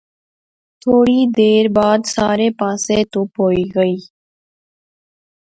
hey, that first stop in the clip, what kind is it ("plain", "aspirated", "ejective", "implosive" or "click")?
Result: aspirated